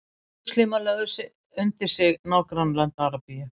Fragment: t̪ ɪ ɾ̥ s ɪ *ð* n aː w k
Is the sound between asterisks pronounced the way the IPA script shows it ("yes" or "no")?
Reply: no